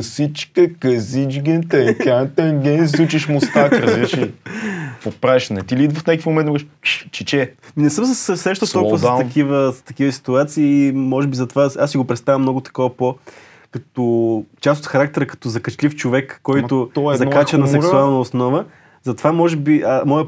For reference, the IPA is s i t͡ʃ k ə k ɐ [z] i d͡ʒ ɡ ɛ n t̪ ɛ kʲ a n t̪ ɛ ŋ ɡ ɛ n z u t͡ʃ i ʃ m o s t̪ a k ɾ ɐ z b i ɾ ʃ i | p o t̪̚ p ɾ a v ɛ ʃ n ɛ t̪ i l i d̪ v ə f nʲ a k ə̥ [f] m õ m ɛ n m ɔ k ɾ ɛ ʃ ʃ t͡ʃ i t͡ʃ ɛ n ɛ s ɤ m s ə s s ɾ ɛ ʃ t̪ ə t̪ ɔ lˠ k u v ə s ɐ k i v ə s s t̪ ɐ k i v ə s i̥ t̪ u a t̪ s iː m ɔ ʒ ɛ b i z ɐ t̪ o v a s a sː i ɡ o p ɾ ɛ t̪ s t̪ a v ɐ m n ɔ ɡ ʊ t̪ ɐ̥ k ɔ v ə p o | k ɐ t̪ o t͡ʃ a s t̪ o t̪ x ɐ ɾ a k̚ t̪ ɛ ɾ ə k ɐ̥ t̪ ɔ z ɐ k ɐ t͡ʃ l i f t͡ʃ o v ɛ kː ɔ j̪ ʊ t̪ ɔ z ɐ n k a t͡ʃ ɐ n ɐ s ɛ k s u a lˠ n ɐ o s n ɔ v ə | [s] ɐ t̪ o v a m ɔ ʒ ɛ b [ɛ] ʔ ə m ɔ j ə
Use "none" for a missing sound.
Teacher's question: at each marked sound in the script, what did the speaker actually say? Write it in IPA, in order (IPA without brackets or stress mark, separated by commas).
z, f, z, i